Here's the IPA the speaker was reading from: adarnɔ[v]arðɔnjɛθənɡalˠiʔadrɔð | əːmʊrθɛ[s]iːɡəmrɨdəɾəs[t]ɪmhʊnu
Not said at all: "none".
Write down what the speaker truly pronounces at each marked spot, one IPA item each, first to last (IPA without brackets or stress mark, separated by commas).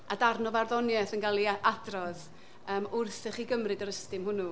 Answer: v, χ, t